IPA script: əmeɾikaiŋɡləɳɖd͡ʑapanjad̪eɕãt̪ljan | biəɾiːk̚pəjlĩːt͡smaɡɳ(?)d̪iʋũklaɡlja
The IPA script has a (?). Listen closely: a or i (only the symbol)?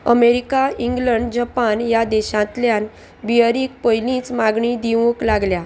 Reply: i